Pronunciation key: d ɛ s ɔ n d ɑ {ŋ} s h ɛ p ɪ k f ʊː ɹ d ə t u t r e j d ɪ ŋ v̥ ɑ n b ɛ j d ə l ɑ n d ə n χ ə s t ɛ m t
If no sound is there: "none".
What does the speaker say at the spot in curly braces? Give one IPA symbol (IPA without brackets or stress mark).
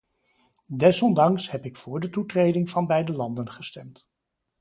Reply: ŋ